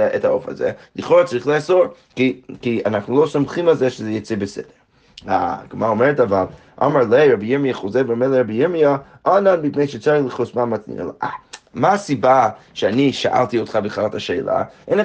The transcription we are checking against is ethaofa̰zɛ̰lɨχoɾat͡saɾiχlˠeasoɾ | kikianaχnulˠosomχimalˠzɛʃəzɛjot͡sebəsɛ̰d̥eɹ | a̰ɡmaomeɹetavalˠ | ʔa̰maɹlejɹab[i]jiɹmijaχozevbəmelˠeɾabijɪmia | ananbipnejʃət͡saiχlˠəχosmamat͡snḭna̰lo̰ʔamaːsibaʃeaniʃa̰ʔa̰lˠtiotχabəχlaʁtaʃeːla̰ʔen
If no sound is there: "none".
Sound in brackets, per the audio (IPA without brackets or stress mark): i